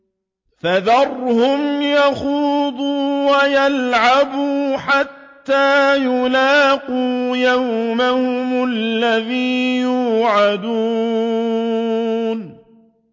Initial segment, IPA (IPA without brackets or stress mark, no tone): f